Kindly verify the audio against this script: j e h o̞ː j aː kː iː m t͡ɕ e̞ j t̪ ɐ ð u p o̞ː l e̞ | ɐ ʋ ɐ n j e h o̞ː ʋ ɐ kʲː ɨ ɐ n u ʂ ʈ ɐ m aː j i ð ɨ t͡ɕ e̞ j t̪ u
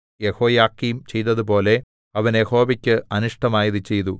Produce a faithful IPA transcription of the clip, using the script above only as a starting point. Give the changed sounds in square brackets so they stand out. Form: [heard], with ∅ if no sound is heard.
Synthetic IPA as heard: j e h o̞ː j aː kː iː m t͡ɕ e̞ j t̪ ɐ ð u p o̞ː l e̞ | ɐ ʋ ɐ n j e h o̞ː ʋ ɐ kʲː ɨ ɐ n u ʂ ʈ ɐ m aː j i ð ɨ t͡ɕ e̞ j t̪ u

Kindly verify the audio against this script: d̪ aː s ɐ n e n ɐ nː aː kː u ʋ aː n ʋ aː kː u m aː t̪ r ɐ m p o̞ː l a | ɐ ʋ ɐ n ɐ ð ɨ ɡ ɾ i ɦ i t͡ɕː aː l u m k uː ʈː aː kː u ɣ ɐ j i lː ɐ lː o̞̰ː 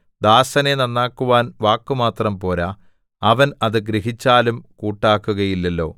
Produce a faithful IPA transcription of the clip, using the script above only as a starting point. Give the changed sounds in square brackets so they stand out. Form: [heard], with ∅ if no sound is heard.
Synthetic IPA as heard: d̪ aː s ɐ n e n ɐ nː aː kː u ʋ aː n ʋ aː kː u m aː t̪ r ɐ m p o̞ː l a | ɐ ʋ ɐ n ɐ ð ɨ ɡ ɾ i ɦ i t͡ɕː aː l u m k uː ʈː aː kː u ɣ ɐ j i lː ɐ lː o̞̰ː

